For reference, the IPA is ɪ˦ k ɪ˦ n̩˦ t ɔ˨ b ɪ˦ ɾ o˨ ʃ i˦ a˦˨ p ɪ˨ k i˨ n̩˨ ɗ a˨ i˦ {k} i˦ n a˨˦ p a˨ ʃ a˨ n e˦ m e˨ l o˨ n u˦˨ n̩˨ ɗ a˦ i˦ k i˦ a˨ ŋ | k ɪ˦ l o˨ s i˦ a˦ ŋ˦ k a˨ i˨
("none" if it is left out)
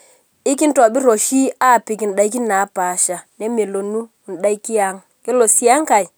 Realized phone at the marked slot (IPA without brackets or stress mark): k